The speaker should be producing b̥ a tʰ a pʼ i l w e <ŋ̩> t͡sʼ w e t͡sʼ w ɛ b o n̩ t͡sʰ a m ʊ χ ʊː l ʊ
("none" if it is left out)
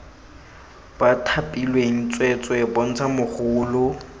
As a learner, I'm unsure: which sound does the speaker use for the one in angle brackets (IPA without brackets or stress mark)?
ŋ̩